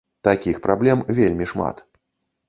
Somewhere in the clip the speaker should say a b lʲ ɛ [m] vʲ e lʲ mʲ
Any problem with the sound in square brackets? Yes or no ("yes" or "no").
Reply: no